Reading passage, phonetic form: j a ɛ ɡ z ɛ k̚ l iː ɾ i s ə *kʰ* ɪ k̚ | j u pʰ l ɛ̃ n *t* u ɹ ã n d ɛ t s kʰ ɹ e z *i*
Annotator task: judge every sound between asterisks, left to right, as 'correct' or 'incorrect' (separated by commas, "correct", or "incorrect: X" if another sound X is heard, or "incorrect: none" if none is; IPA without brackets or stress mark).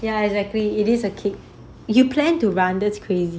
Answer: correct, correct, correct